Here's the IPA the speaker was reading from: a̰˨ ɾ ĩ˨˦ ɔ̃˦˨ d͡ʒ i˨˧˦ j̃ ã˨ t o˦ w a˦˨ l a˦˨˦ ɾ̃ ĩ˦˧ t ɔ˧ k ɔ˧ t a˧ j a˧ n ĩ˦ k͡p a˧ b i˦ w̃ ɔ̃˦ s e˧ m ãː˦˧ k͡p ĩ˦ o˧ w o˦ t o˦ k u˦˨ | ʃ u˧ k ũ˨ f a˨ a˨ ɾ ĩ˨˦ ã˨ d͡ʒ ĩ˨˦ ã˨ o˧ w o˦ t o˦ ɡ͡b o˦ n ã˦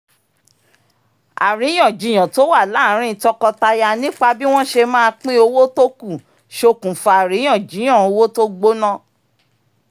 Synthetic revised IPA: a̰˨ ɾ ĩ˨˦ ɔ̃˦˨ d͡ʒ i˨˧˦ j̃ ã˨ t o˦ w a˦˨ l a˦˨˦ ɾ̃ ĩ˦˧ t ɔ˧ k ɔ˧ t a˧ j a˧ n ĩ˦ k͡p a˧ b i˦ w̃ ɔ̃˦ ʃ e˧ m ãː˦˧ k͡p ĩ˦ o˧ w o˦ t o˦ k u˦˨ | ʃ o˧ k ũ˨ f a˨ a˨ ɾ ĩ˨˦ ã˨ d͡ʒ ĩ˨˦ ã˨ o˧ w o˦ t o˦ ɡ͡b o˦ n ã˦